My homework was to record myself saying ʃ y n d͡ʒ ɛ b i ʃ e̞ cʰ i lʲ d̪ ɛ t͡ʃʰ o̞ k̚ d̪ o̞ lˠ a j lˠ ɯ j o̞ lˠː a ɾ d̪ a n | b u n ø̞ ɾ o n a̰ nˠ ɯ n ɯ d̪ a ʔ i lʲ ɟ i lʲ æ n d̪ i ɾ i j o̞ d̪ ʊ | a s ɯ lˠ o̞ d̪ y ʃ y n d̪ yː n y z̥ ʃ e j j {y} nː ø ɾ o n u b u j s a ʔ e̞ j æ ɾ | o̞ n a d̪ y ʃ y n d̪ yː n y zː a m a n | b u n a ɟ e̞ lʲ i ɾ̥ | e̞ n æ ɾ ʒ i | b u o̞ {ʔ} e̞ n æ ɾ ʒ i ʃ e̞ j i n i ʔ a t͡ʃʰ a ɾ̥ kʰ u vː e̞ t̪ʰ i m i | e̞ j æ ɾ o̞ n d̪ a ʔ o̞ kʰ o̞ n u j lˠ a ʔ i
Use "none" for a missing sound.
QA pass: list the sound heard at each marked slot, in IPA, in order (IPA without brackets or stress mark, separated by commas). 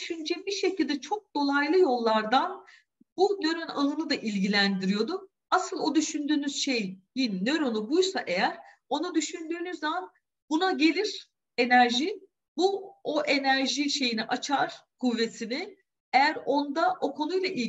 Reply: i, ʔ